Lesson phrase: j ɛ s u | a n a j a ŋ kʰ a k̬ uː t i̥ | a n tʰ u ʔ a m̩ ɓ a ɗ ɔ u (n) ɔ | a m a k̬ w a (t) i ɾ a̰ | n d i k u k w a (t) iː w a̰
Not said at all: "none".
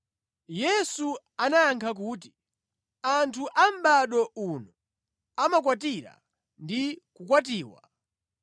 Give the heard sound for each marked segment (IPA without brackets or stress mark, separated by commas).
n, t, t